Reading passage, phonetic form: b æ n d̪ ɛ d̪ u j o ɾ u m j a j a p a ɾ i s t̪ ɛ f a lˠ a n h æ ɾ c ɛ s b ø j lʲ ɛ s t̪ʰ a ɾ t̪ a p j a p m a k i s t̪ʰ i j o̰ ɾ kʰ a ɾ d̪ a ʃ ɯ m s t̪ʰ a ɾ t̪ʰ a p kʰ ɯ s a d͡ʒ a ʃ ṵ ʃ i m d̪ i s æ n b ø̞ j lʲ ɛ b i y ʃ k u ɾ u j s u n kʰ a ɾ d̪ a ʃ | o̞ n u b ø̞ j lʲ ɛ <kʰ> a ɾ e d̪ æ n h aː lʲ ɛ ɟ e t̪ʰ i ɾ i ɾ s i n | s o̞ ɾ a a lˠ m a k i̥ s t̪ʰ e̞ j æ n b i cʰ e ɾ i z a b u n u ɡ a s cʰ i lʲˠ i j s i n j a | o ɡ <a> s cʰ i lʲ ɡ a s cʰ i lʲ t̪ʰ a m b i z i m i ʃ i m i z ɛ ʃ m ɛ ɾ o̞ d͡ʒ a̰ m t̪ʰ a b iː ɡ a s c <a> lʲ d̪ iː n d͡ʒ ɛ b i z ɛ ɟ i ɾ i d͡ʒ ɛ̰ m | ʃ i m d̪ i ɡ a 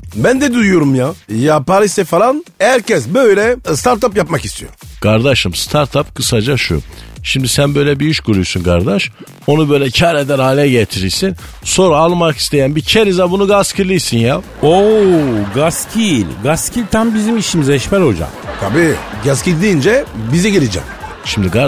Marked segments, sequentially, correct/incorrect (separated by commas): incorrect, correct, incorrect